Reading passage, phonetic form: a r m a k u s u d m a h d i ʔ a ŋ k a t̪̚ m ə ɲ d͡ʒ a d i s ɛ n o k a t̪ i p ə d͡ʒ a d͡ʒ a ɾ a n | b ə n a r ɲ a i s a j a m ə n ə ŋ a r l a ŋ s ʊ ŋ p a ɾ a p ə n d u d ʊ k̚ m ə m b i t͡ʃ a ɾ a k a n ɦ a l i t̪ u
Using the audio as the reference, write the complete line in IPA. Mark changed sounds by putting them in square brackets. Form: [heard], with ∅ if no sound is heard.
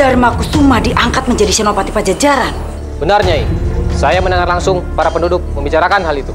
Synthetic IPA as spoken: a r m a k u s u [∅] m a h d i ʔ a ŋ k a t̪̚ m ə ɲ d͡ʒ a d i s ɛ n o [p] a t̪ i p [a] d͡ʒ a d͡ʒ a ɾ a n | b ə n a r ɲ a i s a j a m ə n ə ŋ a r l a ŋ s ʊ ŋ p a ɾ a p ə n d u d ʊ k̚ m ə m b i t͡ʃ a ɾ a k a n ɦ a l i t̪ u